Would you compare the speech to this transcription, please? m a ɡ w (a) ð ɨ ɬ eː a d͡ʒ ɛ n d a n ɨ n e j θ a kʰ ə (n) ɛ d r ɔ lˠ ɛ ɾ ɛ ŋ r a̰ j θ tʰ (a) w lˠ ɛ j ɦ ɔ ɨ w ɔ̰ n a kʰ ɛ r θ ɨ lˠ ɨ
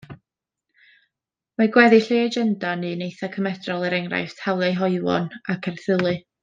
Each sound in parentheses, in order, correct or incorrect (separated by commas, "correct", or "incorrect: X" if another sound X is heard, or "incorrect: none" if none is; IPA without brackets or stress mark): incorrect: ɛ, incorrect: m, correct